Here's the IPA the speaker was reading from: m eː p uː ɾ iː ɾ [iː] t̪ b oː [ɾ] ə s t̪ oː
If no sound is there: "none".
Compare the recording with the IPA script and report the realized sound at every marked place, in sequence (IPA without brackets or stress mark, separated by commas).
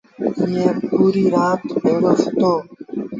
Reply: aː, ɾ